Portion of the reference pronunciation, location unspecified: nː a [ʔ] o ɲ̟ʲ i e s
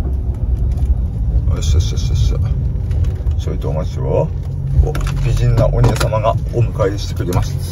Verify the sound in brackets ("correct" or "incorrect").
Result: correct